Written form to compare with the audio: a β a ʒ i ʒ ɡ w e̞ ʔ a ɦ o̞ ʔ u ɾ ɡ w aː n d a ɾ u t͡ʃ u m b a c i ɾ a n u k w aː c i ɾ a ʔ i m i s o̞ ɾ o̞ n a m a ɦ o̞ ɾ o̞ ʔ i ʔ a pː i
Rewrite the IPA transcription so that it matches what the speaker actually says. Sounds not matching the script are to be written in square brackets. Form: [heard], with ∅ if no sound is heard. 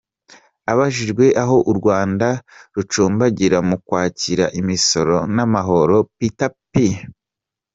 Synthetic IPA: a β a ʒ i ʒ ɡ w e̞ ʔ a ɦ o̞ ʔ u ɾ ɡ w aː n d a ɾ u t͡ʃ [uː] m b a [ɟ] i ɾ a [m] u k w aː c i ɾ a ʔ i m i s o̞ ɾ o̞ n a m a ɦ o̞ ɾ o̞ [p] i [t] a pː i